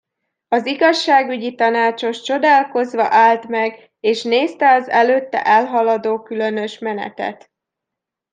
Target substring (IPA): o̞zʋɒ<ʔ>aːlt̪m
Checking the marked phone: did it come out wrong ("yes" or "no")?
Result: no